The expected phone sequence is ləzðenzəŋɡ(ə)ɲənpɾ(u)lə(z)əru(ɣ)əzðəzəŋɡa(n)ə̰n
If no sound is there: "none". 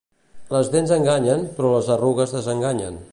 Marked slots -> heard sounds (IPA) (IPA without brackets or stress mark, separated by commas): a, ɔ, z, ɣ, ɲ